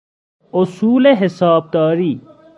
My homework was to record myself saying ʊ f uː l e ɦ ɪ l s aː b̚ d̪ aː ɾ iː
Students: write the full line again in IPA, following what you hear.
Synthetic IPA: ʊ s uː l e ɦ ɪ s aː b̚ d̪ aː ɾ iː